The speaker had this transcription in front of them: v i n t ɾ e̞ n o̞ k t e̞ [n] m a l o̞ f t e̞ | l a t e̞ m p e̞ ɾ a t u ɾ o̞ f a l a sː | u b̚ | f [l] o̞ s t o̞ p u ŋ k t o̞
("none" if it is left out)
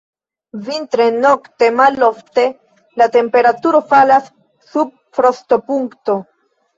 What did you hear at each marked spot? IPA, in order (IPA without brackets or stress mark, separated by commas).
none, ɾ